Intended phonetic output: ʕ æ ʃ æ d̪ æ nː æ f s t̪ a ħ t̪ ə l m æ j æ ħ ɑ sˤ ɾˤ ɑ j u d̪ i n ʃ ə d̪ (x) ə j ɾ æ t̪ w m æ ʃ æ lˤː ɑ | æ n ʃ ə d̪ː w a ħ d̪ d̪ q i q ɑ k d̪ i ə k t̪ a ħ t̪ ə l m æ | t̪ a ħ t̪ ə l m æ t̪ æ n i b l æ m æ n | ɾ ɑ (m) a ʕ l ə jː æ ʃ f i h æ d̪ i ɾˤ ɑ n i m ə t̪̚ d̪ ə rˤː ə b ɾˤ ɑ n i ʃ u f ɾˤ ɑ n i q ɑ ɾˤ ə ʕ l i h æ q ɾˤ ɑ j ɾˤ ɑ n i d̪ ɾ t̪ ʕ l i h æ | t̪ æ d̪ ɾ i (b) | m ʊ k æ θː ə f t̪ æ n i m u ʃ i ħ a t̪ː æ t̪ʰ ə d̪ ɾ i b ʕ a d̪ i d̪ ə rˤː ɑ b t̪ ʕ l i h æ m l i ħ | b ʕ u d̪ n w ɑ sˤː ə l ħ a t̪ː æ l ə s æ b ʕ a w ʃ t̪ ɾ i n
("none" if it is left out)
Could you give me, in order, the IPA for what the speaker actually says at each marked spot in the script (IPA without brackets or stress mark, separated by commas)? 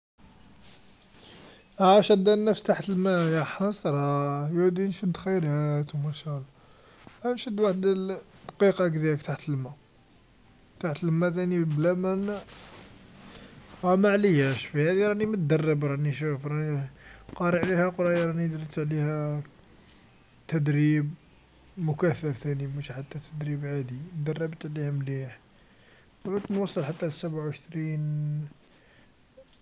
x, m, b